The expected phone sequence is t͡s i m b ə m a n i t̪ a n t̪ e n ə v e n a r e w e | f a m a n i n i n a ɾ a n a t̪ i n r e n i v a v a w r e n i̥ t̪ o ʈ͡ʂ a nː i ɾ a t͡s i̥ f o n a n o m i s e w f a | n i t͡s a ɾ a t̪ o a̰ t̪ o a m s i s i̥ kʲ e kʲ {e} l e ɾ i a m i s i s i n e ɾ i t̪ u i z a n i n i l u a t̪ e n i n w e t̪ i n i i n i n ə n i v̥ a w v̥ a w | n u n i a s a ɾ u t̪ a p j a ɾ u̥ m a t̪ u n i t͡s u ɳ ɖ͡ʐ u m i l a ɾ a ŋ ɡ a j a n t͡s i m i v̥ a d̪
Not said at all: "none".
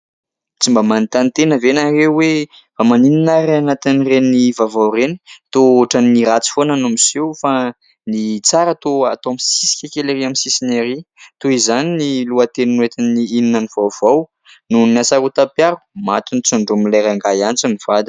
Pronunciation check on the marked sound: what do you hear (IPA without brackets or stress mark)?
e